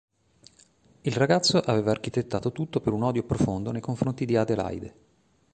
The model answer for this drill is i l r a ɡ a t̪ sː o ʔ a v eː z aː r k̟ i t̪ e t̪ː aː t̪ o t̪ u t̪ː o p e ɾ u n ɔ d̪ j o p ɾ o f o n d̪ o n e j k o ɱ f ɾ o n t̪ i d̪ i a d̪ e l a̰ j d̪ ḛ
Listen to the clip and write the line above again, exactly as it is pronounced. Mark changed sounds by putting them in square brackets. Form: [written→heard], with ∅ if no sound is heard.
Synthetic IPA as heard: i l r a ɡ a t̪ sː o ʔ a v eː [z→v] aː r k̟ i t̪ e t̪ː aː t̪ o t̪ u t̪ː o p e ɾ u n ɔ d̪ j o p ɾ o f o n d̪ o n e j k o ɱ f ɾ o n t̪ i d̪ i a d̪ e l a̰ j d̪ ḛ